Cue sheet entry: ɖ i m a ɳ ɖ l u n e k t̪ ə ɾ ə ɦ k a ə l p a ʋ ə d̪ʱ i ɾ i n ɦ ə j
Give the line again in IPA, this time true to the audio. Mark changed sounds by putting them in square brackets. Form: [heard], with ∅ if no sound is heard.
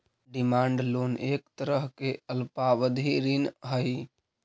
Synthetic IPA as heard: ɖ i m a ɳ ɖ l [o] n e k t̪ ə ɾ ə ɦ k [e] ə l p a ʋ ə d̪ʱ i ɾ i n ɦ ə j